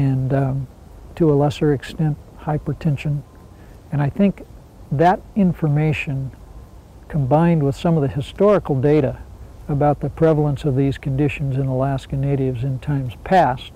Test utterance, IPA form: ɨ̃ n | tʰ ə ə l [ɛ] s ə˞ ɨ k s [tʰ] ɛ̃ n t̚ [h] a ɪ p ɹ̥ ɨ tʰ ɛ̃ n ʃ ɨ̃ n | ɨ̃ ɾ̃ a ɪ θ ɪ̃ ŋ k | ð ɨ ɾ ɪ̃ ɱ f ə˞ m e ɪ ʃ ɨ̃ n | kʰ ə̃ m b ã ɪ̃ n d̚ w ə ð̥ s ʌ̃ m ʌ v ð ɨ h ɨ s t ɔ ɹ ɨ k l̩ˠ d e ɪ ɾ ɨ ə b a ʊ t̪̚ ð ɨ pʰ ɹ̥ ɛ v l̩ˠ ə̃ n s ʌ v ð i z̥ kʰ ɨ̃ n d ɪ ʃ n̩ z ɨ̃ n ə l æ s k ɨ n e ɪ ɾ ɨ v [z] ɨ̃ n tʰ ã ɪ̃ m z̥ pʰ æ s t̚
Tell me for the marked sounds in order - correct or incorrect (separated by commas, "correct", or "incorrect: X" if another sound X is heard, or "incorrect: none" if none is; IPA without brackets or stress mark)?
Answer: correct, incorrect: t, correct, correct